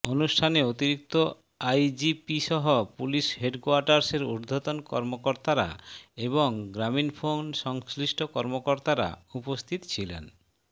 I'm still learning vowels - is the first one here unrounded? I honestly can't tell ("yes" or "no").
no